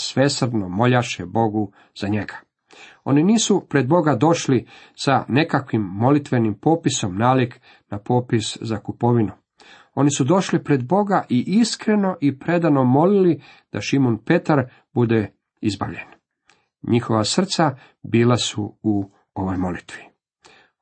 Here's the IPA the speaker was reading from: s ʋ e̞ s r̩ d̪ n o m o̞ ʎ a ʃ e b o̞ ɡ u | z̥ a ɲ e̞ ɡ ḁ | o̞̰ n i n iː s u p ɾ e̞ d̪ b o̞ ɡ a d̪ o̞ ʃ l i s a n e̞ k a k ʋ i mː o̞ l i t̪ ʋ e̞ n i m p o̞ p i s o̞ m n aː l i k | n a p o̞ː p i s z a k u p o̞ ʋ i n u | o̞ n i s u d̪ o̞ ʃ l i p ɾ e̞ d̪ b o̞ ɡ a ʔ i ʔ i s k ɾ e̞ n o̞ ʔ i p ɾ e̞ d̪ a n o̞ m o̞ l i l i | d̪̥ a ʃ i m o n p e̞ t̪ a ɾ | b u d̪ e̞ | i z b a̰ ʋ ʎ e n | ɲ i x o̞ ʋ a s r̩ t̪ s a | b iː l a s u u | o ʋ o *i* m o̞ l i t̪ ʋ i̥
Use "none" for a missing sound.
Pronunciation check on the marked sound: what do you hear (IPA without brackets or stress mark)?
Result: j